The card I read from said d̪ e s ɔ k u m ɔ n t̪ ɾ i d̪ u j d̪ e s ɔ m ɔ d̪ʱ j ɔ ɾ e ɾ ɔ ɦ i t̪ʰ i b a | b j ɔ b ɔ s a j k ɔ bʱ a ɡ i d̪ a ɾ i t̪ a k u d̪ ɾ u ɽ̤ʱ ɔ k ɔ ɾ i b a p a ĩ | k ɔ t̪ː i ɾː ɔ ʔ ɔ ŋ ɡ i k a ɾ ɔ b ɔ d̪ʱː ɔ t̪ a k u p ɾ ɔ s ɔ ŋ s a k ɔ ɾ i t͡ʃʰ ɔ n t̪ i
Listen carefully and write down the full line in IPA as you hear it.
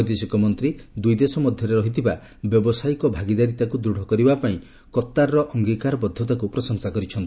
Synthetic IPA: d̪ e s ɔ k ɔ m ɔ n t̪ ɾ i d̪ u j d̪ e s ɔ m ɔ d̪ʱ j ɔ ɾ e ɾ ɔ ɦ i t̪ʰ i b a | b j ɔ b ɔ s a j k ɔ bʱ a ɡ i d̪ a ɾ i t̪ a k u d̪ ɾ u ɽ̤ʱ ɔ k ɔ ɾ i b a p a ĩ | k ɔ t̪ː a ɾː ɔ ʔ ɔ ŋ ɡ i k a ɾ ɔ b ɔ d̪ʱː ɔ t̪ a k u p ɾ ɔ s ɔ ŋ s a k ɔ ɾ i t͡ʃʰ ɔ n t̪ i